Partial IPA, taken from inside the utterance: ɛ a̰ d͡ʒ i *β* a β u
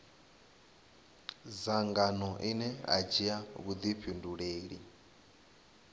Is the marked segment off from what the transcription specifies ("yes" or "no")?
yes